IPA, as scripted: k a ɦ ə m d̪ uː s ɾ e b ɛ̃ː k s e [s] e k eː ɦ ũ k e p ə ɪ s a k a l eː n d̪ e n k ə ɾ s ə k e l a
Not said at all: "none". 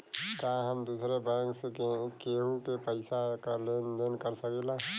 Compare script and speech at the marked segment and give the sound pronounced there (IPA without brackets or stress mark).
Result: none